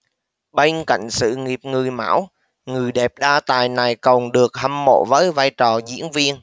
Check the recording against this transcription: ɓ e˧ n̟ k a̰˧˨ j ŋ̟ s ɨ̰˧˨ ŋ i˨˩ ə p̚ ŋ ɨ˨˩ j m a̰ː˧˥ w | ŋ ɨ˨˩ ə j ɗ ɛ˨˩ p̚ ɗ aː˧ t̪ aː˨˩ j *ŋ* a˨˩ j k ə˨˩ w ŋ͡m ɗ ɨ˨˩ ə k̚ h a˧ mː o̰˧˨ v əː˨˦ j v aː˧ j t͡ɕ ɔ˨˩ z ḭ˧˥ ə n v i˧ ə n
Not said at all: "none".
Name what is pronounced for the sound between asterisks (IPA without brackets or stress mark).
n